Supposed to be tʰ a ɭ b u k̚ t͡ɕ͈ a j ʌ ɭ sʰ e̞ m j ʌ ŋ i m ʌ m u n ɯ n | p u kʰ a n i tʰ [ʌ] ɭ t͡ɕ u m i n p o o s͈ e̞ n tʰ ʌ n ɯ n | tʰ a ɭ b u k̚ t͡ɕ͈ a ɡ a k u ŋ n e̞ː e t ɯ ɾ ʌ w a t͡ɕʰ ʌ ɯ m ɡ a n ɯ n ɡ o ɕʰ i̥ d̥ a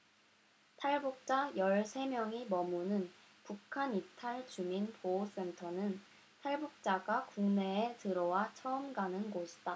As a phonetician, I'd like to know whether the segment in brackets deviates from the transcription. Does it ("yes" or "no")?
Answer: yes